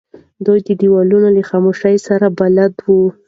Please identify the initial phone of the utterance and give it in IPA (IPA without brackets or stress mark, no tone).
d̪